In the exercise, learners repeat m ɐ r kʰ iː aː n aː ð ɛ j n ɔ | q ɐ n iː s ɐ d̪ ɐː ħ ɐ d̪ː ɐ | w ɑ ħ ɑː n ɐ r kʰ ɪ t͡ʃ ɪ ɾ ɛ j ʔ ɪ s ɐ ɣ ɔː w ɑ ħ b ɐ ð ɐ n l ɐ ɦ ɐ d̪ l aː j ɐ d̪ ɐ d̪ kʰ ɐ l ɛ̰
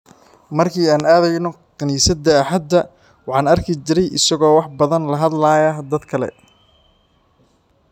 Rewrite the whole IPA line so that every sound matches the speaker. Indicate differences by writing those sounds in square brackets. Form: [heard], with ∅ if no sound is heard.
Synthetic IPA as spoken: m ɐ r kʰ iː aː n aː ð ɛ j n ɔ | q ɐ n iː s ɐ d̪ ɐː ħ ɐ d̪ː ɐ | w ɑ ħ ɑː n ɐ r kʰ ɪ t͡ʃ ɪ ɾ ɛ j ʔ ɪ s ɐ ɣ ɔː w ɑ ħ b ɐ ð ɐ n l ɐ ɦ ɐ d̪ l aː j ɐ d̪ ɐ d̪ kʰ ɐ l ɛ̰